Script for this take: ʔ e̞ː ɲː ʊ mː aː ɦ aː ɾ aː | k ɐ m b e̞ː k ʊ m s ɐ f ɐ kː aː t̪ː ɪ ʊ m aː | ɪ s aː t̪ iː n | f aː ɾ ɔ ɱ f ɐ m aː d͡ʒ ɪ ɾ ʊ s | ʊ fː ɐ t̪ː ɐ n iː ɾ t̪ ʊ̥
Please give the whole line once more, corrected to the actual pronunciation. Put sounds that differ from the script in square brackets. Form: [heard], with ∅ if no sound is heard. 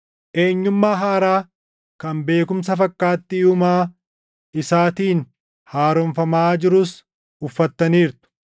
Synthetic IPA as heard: ʔ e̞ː ɲː ʊ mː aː ɦ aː ɾ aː | k ɐ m b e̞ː k ʊ m s ɐ f ɐ kː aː t̪ː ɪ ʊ m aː | ɪ s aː t̪ iː n | [h] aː ɾ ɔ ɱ f ɐ m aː d͡ʒ ɪ ɾ ʊ s | ʊ fː ɐ t̪ː ɐ n iː ɾ t̪ ʊ̥